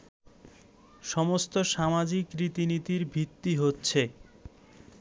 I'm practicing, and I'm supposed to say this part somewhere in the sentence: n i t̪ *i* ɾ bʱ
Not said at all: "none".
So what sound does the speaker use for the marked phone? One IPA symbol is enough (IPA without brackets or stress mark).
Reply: i